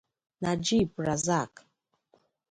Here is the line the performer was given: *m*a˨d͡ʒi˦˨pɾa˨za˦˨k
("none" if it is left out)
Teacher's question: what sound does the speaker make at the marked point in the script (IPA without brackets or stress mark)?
n